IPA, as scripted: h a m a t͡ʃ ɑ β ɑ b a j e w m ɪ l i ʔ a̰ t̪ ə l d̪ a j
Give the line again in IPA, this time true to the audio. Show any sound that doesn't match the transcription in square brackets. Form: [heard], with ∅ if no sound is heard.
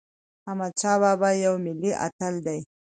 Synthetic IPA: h a m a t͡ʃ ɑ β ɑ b a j [a] w m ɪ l i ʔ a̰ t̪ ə l d̪ a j